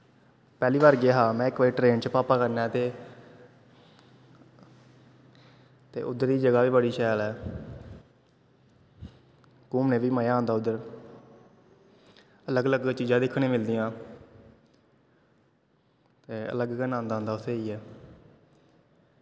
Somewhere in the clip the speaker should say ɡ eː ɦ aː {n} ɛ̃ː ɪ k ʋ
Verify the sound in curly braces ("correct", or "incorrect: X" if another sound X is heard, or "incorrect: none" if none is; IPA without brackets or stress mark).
incorrect: m